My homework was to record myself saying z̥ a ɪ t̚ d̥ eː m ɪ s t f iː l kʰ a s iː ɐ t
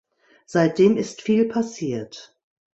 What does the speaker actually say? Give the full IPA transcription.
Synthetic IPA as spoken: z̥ a ɪ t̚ d̥ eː m ɪ s t f iː l pʰ a s iː ɐ t